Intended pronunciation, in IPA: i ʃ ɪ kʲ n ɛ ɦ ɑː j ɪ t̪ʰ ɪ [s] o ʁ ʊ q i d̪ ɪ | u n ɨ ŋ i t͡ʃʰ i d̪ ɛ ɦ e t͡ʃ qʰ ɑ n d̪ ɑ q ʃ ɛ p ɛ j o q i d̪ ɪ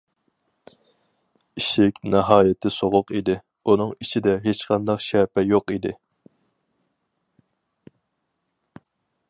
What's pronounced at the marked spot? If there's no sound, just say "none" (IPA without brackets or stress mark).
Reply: s